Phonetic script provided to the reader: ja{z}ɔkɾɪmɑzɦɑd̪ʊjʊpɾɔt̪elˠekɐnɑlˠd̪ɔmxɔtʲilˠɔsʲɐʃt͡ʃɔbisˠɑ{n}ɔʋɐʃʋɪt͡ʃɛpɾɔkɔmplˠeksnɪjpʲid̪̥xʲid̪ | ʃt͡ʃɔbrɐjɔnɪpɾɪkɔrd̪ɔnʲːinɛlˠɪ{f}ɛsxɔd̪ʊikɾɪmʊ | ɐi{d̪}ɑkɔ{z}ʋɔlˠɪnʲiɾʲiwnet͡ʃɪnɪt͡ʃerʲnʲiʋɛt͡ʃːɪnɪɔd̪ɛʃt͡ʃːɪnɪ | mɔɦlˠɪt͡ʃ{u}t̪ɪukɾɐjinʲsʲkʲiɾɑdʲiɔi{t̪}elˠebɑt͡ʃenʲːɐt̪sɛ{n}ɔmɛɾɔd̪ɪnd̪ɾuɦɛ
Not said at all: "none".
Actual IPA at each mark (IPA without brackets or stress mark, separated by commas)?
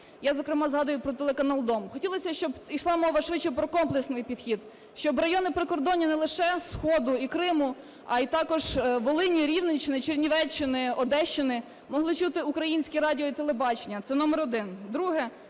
z, m, ʃ, t̪, ʒ, u, t̪, n